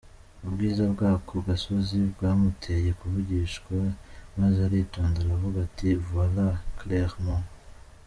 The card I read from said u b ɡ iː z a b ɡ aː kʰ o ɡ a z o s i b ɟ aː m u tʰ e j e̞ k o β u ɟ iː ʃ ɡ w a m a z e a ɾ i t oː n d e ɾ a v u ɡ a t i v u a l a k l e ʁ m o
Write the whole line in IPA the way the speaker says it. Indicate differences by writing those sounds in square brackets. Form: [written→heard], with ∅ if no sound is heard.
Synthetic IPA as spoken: u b ɡ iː z a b ɡ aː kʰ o ɡ a [z→s] o [s→z] i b [ɟ→ɡ] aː m u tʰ e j e̞ k [o→u] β u ɟ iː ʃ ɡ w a m a z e a ɾ i t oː n d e ɾ a v u ɡ a t i v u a l a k l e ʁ m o